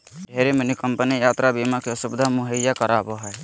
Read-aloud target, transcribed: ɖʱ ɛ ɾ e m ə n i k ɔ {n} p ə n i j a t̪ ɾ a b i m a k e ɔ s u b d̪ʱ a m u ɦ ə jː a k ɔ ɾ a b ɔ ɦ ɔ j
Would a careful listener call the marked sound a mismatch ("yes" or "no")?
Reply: yes